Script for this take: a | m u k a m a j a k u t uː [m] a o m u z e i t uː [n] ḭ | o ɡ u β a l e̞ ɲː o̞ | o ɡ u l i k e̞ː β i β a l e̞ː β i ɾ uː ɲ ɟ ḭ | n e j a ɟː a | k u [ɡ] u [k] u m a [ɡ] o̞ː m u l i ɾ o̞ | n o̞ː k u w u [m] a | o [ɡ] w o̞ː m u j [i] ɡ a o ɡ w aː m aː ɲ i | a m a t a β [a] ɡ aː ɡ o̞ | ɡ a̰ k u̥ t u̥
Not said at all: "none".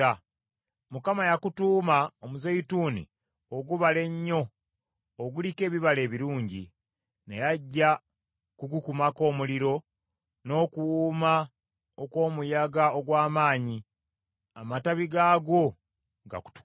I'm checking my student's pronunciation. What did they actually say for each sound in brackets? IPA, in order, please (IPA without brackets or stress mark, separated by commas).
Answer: m, n, ɡ, k, k, m, k, a, i